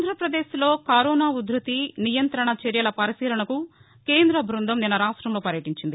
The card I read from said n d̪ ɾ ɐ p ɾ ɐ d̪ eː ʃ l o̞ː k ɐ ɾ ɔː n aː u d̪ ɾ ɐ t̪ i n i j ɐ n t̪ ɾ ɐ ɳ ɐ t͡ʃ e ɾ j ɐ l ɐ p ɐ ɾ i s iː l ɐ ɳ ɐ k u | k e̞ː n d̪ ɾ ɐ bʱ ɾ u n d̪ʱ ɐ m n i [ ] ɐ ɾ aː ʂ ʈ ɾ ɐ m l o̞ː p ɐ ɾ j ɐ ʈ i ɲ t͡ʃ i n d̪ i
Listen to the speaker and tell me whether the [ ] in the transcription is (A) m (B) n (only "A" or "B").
B